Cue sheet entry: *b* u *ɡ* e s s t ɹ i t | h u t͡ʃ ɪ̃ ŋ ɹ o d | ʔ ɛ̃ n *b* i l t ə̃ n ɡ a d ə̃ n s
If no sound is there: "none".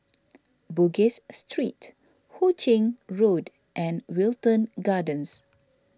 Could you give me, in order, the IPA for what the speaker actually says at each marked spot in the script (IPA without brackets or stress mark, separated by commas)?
b, ɡ, w